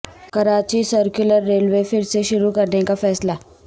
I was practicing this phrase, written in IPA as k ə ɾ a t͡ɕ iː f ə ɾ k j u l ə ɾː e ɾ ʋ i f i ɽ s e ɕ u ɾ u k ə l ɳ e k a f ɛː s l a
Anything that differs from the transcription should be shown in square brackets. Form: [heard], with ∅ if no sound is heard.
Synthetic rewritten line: k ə ɾ a t͡ɕ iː [s] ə ɾ k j u l ə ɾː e [l] ʋ [e] f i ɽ s e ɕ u ɾ u k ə [ɾ] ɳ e k a f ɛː s l a